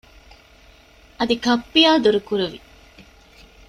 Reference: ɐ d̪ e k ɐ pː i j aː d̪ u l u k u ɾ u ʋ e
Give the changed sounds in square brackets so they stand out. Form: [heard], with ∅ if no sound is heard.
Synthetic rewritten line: ɐ d̪ [i] k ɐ pː i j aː d̪ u [ɾ] u k u ɾ u ʋ [i]

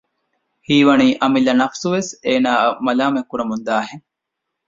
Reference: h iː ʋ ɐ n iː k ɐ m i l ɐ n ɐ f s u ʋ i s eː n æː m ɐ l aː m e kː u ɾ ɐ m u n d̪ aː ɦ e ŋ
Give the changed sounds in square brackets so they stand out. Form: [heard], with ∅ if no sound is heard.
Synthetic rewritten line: h iː ʋ ɐ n iː [ʔ] ɐ m i l ɐ n ɐ f s u ʋ [e] s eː n [aː] m ɐ l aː m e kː u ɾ ɐ m u n d̪ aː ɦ e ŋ

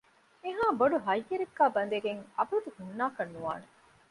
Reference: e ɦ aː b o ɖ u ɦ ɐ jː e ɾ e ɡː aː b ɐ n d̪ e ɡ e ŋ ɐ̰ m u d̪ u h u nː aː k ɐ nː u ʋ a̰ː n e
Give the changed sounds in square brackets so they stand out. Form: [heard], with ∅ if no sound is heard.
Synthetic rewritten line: e ɦ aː b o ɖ u ɦ ɐ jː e ɾ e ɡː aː b ɐ n d̪ e ɡ e ŋ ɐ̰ [b] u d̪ u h u nː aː k ɐ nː u ʋ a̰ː n e

